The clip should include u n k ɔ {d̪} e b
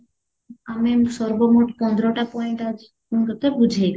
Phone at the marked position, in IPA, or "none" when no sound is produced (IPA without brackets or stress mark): t̪